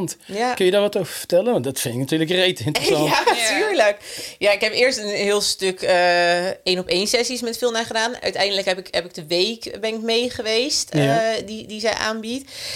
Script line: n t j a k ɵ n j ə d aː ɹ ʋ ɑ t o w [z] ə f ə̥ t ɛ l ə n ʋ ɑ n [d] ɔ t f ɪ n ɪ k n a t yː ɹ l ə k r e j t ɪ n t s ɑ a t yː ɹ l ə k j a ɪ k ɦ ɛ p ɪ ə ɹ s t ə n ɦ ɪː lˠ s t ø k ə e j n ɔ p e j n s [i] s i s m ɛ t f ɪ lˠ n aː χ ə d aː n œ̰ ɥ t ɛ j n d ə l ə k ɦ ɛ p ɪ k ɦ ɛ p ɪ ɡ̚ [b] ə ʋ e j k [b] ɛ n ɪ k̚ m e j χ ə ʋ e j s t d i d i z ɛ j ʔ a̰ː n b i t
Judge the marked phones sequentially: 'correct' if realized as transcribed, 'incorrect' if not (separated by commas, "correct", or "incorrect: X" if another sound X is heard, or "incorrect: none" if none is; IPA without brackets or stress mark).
incorrect: v, correct, incorrect: ɛ, incorrect: d, correct